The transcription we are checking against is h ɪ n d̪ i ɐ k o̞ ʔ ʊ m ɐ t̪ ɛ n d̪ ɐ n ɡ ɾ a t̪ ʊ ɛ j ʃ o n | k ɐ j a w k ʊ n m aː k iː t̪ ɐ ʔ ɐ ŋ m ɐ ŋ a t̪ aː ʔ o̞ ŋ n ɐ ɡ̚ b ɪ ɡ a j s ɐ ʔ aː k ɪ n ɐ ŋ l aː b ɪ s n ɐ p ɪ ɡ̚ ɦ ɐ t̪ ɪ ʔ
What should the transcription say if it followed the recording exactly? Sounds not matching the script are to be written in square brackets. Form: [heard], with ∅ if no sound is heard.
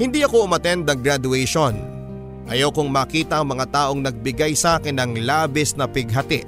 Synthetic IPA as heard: h ɪ n d̪ i ɐ k o̞ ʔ ʊ m ɐ t̪ ɛ n d̪ ɐ [ŋ] ɡ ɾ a [d̪] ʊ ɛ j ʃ o n | [ʔ] ɐ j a w k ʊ [ŋ] m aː k iː t̪ ɐ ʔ ɐ ŋ m ɐ ŋ a t̪ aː ʔ o̞ ŋ n ɐ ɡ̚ b ɪ ɡ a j s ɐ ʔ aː k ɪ n ɐ ŋ l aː b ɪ s n ɐ p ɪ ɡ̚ ɦ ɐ t̪ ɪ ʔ